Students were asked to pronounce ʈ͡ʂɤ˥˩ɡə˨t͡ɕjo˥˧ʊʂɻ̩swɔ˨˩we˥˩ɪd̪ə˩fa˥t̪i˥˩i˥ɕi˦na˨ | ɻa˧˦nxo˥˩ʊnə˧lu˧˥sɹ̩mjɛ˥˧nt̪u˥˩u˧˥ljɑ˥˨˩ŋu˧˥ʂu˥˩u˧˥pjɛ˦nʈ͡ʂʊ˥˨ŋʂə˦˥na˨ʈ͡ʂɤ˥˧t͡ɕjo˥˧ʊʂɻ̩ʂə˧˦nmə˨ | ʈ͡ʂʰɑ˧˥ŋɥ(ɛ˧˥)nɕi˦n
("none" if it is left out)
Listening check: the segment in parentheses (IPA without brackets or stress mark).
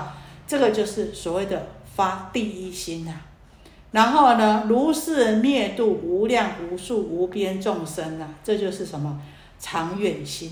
ɛ˨˩